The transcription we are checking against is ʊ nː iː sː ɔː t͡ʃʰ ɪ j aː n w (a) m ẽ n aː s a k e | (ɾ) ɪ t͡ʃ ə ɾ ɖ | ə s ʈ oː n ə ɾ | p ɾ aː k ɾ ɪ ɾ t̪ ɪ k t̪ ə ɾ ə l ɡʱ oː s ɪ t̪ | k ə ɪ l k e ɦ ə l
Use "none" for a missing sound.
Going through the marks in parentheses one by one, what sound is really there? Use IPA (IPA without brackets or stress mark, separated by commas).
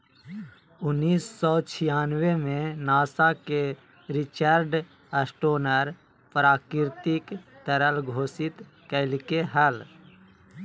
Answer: e, ɾ